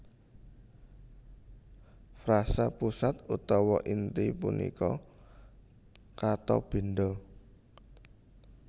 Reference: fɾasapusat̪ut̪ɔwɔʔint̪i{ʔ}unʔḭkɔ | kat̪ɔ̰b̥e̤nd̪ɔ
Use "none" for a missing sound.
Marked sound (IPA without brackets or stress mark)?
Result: p